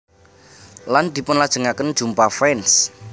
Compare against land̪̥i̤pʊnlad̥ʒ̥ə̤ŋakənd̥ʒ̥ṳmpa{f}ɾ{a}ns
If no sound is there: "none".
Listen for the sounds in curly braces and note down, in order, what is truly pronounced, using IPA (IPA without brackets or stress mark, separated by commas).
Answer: f, ɛ